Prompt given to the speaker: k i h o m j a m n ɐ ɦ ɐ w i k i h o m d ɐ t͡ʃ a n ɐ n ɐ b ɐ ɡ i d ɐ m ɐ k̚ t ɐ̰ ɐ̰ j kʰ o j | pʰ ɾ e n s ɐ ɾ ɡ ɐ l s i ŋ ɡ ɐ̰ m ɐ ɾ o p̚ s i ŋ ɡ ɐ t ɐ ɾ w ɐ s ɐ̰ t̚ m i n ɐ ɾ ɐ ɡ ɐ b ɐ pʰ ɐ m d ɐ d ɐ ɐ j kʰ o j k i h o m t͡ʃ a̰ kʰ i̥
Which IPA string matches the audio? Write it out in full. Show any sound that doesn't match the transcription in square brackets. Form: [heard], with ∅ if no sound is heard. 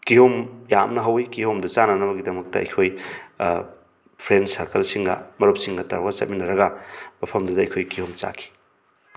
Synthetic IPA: k i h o m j a m n ɐ ɦ ɐ w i k i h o m d ɐ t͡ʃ a n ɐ n ɐ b ɐ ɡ i d ɐ m ɐ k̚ t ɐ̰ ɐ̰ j kʰ o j | pʰ ɾ e n s ɐ ɾ [k] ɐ l s i ŋ ɡ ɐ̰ m ɐ ɾ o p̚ s i ŋ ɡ ɐ t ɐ ɾ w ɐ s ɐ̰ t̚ m i n ɐ ɾ ɐ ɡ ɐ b ɐ pʰ ɐ m d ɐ d ɐ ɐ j kʰ o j k i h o m t͡ʃ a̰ kʰ i̥